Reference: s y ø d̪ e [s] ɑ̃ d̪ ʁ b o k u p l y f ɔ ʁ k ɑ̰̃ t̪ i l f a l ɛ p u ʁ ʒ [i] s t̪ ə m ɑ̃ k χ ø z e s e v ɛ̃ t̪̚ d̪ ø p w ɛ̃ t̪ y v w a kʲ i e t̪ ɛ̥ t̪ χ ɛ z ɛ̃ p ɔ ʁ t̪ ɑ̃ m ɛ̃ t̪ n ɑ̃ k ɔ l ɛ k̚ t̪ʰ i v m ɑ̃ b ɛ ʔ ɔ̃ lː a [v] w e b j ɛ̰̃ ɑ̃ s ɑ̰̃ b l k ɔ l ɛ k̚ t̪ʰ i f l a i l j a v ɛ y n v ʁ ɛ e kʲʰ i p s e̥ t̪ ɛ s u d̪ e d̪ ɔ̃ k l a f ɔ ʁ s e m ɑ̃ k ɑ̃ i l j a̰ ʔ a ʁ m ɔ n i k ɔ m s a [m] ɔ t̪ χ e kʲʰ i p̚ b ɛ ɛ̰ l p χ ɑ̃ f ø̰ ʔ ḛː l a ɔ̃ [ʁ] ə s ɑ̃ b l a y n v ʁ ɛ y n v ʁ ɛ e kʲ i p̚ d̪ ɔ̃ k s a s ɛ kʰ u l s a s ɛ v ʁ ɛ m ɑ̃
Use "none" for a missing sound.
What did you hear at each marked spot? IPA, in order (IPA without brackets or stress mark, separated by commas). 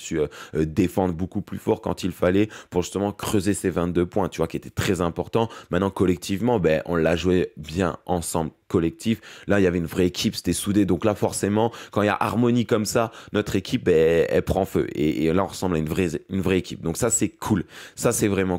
f, y, ʒ, n, ʁ